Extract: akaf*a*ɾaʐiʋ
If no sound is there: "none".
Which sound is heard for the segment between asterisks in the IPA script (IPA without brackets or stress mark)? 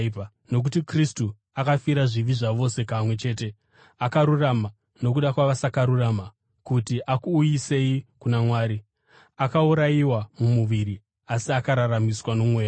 i